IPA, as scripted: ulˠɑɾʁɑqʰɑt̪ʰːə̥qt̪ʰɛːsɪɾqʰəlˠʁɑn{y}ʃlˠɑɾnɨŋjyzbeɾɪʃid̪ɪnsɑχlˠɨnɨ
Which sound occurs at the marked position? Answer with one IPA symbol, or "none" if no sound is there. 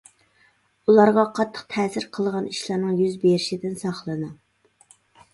i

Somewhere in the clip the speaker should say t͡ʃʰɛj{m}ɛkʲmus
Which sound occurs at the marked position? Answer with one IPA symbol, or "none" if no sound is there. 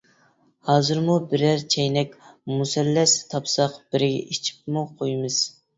n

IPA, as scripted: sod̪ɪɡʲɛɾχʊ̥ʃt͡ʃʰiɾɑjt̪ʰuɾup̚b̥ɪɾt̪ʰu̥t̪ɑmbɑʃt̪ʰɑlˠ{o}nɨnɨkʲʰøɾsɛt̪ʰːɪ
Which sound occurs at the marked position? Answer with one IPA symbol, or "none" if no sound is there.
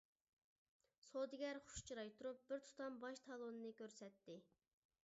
o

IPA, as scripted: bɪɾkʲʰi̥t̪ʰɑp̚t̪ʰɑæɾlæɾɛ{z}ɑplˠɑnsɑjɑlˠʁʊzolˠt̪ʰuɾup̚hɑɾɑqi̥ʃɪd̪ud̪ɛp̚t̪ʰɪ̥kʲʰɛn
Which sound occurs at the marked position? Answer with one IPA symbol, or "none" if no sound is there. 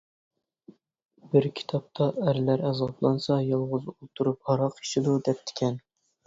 z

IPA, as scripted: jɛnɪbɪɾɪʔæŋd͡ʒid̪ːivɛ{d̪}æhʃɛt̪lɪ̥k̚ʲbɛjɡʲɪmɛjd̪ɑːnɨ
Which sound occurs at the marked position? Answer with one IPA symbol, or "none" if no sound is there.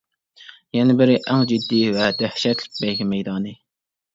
d̪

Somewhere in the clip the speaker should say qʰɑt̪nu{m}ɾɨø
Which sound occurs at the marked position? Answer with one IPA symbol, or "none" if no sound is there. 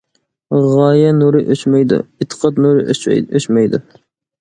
none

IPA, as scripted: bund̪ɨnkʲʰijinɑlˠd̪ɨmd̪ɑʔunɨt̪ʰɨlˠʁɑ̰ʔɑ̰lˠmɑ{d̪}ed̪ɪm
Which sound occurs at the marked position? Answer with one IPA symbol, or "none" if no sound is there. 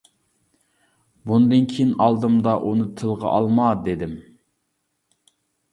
d̪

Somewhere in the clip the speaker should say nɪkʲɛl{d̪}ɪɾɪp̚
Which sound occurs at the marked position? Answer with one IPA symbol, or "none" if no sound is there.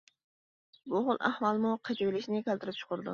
t̪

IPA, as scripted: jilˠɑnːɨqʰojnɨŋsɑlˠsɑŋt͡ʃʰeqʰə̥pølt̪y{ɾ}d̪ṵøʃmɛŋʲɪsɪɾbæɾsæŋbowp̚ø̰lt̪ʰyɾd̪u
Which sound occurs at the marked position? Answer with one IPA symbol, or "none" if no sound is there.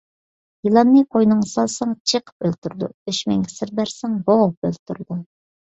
ɾ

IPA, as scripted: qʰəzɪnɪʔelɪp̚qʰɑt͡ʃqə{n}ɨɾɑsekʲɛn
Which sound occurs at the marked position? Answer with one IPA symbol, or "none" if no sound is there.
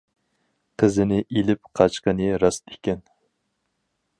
n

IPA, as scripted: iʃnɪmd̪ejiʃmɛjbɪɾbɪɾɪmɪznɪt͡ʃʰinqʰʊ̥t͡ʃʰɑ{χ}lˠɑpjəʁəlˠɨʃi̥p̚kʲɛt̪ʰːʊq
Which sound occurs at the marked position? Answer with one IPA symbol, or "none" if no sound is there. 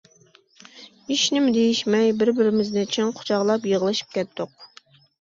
ʁ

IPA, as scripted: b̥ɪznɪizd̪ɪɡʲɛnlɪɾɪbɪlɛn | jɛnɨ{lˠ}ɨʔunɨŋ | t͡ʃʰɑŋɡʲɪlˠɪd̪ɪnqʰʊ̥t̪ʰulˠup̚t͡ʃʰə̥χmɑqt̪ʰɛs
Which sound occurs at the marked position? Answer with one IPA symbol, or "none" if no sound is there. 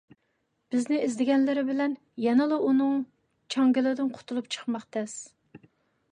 lˠ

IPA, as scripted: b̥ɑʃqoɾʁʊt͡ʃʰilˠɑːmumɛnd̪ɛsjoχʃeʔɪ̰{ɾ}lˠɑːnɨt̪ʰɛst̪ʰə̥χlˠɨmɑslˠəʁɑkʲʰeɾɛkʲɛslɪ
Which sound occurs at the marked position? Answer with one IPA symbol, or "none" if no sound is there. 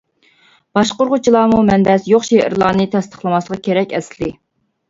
ɾ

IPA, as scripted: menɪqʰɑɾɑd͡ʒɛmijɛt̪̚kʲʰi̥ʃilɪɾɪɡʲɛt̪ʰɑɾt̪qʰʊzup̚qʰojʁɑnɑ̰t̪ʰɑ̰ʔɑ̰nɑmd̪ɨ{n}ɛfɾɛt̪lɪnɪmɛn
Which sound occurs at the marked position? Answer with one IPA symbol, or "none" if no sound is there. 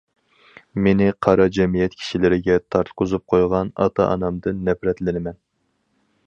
nː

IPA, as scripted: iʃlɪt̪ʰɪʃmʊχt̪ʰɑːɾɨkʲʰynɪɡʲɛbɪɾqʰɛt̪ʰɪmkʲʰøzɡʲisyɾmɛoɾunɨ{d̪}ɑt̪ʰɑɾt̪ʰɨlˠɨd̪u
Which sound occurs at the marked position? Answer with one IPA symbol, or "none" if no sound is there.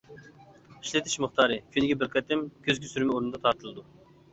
d̪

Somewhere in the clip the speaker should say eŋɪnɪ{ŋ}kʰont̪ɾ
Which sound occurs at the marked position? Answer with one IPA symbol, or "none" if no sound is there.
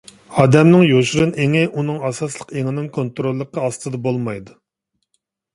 ŋ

